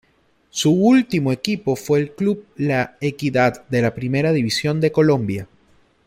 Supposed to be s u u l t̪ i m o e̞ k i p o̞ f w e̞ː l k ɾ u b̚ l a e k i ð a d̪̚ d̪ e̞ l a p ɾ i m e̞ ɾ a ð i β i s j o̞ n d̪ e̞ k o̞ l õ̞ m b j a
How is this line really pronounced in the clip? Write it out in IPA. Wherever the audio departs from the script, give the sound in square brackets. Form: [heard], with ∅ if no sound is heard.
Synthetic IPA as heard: s u u l t̪ i m o e̞ k i p o̞ f w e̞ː l k [l] u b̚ l a e k i ð a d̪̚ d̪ e̞ l a p ɾ i m e̞ ɾ a ð i β i s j o̞ n d̪ e̞ k o̞ l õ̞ m b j a